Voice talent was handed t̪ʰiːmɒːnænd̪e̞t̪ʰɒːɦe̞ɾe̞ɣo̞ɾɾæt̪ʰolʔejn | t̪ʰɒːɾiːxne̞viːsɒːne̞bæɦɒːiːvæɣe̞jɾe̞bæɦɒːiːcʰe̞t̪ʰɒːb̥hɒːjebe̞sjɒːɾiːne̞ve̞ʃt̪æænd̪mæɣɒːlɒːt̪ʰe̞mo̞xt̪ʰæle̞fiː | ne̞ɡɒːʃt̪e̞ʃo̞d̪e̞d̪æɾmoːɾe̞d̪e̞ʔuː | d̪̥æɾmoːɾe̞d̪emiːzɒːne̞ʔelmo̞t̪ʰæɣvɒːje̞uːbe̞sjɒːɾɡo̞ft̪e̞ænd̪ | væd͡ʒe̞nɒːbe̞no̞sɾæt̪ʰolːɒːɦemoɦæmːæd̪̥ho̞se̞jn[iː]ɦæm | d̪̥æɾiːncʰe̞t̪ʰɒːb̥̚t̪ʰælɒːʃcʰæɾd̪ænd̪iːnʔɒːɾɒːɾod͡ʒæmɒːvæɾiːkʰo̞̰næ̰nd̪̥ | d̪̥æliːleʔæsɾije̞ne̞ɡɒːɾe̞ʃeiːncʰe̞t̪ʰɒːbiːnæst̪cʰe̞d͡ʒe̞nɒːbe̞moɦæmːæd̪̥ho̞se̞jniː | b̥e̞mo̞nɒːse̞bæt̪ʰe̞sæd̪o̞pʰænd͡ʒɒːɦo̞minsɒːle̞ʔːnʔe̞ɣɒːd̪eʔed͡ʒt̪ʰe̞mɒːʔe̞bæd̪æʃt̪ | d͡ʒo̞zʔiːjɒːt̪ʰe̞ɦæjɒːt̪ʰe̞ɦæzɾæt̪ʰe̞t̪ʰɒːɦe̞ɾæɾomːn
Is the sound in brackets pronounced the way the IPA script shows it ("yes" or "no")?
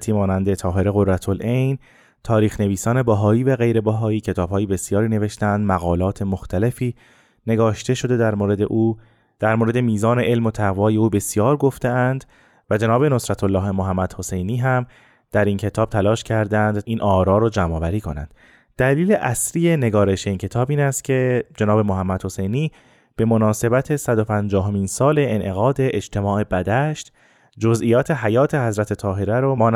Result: yes